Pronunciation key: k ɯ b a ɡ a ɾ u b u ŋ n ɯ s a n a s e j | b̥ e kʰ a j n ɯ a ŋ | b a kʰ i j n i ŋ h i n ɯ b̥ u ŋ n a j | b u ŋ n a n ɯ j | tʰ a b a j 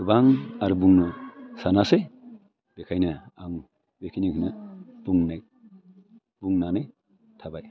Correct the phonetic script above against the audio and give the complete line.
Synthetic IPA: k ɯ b a ŋ a ɾ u b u ŋ n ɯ s a n a s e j | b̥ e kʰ a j n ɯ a ŋ | b e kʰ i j n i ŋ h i n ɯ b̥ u ŋ n a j | b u ŋ n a n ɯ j | tʰ a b a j